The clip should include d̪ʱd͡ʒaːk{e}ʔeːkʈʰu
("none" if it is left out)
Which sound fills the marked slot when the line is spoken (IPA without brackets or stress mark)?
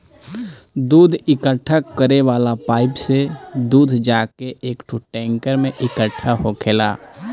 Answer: e